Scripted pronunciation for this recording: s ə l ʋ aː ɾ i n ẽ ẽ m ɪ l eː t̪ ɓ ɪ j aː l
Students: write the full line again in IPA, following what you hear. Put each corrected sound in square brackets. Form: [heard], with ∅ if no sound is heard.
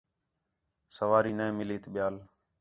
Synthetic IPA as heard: s ə [∅] ʋ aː ɾ [iː] n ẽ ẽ m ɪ l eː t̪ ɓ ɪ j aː l

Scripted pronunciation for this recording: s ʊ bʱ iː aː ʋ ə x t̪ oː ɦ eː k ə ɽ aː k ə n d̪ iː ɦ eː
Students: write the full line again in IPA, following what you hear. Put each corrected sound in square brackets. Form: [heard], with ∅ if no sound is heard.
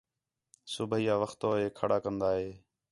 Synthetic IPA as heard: s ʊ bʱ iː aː ʋ ə x t̪ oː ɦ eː [kʰ] ə ɽ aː k ə n d̪ [aː] ɦ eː

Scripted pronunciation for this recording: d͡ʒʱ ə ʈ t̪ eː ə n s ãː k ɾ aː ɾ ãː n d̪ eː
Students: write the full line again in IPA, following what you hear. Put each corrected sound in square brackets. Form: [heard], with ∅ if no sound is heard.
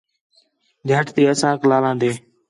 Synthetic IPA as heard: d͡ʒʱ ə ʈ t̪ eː ə [∅] s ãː k [l] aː [l] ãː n d̪ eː

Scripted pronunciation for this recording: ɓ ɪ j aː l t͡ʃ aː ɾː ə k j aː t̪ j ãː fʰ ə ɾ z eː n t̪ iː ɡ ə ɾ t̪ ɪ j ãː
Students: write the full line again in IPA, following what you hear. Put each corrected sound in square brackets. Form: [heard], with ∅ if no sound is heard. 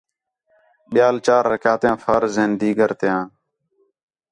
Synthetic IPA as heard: ɓ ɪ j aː l t͡ʃ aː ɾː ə k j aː t̪ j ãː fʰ ə ɾ z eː n [d̪] iː ɡ ə ɾ t̪ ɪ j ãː

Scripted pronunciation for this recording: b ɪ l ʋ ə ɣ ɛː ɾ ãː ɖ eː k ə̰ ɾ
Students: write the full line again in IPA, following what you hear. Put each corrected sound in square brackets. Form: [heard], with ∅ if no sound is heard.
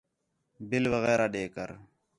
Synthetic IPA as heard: b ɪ l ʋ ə ɣ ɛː ɾ [aː] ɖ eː k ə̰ ɾ

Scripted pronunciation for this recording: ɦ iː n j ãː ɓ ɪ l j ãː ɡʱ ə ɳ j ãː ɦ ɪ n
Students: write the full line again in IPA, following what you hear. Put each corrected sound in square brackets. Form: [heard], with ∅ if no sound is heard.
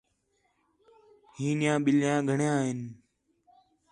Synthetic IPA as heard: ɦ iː n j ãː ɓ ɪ l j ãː ɡʱ ə ɳ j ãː ɦ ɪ n

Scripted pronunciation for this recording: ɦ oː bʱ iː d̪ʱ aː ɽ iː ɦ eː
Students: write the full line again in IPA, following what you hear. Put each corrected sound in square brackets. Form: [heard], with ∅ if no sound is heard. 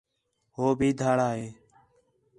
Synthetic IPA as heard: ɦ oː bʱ iː d̪ʱ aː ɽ [aː] ɦ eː

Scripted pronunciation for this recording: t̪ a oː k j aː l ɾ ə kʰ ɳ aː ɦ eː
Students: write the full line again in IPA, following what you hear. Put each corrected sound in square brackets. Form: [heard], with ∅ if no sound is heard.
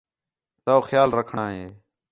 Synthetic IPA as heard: t̪ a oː [x] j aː l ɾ ə kʰ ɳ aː ɦ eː

